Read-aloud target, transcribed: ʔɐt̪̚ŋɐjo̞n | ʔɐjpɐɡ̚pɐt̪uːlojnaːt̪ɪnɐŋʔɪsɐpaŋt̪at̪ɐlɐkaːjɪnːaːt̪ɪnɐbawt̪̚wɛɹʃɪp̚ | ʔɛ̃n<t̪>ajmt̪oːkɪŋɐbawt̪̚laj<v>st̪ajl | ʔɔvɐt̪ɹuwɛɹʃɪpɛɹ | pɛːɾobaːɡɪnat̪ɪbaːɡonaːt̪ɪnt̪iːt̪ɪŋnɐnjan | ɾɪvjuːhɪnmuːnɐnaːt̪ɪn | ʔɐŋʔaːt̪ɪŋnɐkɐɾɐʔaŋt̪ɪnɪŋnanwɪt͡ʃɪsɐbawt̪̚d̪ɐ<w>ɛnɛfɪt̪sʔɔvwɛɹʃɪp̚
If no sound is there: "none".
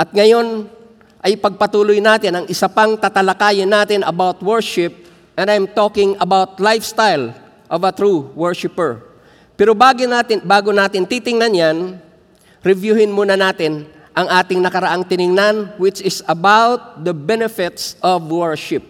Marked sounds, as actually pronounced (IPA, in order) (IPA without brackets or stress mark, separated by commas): d̪, f, b